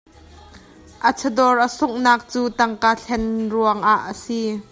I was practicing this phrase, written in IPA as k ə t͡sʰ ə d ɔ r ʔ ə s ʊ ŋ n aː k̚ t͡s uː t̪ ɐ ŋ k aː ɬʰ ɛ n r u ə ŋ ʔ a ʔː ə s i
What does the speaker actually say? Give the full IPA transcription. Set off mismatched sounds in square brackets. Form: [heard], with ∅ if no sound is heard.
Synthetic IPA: [ʔ] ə t͡sʰ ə d ɔ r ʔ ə s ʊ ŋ n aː k̚ t͡s uː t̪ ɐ ŋ k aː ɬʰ ɛ n r u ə ŋ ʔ a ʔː ə s i